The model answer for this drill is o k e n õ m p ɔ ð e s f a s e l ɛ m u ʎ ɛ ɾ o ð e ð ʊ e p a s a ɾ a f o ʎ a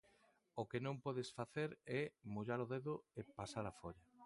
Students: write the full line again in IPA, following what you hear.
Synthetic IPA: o k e n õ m p ɔ ð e s f a θ e ɾ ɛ m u ʎ a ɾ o ð e ð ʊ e p a s a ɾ a f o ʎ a